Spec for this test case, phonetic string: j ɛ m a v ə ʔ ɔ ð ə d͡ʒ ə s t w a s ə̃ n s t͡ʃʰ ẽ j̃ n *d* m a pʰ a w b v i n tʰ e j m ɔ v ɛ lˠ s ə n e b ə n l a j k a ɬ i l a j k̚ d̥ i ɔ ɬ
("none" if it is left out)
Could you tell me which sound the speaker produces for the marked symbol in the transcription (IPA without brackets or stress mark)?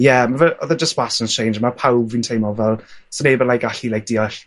d͡ʒ